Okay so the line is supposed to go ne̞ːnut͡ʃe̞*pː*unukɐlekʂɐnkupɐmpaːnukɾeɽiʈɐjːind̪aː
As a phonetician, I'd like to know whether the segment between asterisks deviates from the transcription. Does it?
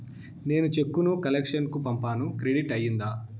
yes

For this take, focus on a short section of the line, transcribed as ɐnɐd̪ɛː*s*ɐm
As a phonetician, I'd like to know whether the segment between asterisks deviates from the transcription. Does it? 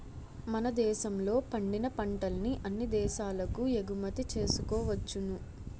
yes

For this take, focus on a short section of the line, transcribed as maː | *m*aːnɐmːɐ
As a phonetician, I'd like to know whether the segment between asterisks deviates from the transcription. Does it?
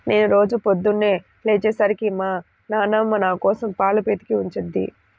yes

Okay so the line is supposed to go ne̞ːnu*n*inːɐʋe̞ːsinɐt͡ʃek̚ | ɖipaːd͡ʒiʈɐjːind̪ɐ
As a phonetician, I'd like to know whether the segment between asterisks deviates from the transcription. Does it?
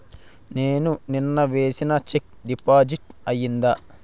no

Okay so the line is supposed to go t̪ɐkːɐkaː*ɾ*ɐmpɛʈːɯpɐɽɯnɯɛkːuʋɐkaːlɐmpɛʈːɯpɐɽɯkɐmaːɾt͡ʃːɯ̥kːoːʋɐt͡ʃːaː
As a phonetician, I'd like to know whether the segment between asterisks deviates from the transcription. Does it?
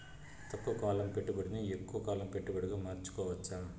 yes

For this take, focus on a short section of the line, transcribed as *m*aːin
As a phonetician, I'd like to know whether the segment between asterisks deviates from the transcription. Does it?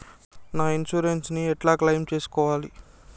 yes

